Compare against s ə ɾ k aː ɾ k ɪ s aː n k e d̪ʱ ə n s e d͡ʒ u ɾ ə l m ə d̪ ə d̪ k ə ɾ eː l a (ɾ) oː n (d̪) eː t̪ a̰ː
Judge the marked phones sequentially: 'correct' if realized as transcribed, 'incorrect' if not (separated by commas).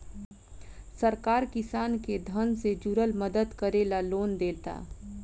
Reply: incorrect, correct